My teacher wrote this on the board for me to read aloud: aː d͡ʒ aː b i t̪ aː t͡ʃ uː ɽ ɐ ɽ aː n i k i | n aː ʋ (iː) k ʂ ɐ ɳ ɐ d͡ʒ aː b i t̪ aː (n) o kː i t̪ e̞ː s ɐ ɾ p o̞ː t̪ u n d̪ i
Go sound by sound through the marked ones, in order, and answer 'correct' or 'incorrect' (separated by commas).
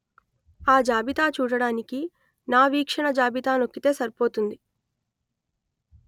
correct, correct